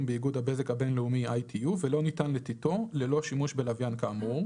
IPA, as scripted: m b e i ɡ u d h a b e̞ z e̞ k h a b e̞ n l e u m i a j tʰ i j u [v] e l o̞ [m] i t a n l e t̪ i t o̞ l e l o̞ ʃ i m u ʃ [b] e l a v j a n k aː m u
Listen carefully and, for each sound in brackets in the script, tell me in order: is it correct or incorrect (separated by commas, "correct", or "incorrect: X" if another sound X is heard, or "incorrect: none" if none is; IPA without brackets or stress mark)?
correct, incorrect: n, correct